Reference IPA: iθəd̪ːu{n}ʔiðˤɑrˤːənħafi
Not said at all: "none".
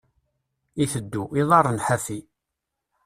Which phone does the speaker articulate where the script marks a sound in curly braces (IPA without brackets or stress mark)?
none